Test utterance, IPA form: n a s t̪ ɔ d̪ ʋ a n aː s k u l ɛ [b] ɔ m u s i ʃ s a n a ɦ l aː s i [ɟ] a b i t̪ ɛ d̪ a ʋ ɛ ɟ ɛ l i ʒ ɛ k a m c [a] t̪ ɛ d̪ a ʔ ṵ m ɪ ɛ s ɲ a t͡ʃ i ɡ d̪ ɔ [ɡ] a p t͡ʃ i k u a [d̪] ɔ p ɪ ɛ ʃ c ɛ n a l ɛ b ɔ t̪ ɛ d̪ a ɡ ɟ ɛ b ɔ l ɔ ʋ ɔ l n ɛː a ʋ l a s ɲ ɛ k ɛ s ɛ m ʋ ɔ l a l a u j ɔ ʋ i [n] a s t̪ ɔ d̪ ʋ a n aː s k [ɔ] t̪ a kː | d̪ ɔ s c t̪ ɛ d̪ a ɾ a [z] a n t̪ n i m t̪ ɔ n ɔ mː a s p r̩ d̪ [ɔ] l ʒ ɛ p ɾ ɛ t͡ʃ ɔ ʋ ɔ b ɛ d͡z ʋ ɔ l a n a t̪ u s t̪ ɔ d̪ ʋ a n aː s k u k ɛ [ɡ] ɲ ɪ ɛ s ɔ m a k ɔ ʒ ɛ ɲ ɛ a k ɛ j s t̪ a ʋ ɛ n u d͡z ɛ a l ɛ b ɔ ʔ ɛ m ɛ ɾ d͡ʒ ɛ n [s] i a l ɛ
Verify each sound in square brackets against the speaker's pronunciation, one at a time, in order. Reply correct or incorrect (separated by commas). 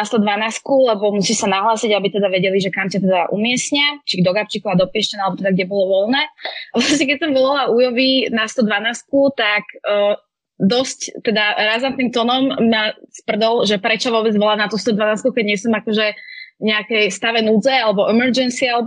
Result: correct, correct, correct, correct, correct, correct, incorrect, correct, correct, incorrect, correct